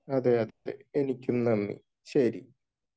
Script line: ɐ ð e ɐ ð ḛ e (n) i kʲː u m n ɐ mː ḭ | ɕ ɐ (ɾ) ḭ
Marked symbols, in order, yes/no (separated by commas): yes, yes